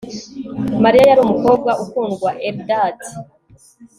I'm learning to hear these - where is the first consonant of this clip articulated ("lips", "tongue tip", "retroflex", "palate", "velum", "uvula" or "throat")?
lips